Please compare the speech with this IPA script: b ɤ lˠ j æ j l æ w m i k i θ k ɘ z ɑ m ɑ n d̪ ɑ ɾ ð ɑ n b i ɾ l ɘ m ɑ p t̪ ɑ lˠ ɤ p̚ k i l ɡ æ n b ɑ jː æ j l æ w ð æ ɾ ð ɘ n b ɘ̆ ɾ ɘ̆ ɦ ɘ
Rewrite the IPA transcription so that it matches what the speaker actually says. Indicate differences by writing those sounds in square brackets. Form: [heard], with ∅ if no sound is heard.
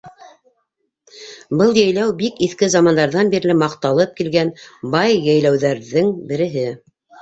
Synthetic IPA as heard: b ɤ lˠ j æ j l æ w [b] i k i θ k ɘ z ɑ m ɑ n d̪ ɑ ɾ ð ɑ n b i ɾ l ɘ m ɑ [q] t̪ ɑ lˠ ɤ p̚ k i l ɡ æ n b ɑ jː æ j l æ w ð æ ɾ ð ɘ [ŋ] b ɘ̆ ɾ ɘ̆ ɦ ɘ